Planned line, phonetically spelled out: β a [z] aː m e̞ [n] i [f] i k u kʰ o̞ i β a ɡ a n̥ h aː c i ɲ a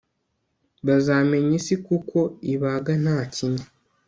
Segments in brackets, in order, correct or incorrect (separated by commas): correct, incorrect, incorrect